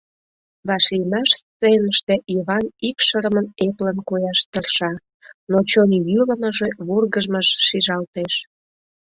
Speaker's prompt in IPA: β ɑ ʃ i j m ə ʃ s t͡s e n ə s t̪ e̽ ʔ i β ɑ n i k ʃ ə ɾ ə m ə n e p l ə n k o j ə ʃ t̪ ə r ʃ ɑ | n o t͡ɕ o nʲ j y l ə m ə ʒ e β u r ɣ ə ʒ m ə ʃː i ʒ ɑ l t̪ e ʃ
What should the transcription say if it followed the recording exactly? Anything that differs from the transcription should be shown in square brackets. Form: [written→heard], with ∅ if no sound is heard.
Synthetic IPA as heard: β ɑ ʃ i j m [ə→ɑ] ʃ s t͡s e n ə [s→ʃ] t̪ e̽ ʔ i β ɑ n i k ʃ ə ɾ ə m ə n e p l ə n k o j [ə→ɑ] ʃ t̪ ə r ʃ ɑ | n o t͡ɕ o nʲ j y l ə m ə ʒ e β u r ɣ ə ʒ m ə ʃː i ʒ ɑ l t̪ e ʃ

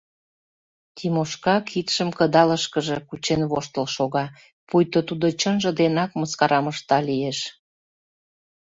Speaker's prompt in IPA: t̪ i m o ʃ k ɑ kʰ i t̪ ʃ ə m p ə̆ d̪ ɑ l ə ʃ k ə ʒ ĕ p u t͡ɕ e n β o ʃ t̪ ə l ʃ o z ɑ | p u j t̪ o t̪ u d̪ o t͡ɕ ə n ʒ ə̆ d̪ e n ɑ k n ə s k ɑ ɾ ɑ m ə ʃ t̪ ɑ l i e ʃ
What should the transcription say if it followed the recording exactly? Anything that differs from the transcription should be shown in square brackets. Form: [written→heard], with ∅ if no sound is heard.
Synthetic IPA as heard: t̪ i m o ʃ k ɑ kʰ i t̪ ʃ ə m [p→k] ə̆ d̪ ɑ l ə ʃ k ə ʒ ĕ [p→k] u t͡ɕ e n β o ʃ t̪ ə l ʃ o [z→ɣ] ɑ | p u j t̪ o t̪ u d̪ o t͡ɕ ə n ʒ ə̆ d̪ e n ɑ k [n→m] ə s k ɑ ɾ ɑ m ə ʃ t̪ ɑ l i e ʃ

